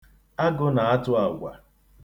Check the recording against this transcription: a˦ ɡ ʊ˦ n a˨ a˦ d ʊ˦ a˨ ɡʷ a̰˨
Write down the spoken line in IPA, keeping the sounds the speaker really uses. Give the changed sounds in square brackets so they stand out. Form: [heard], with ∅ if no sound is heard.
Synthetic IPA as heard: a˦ ɡ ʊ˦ n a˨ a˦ [t] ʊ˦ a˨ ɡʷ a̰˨